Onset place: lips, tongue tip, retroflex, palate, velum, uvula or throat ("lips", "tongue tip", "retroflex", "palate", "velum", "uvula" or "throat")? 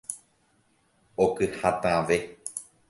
velum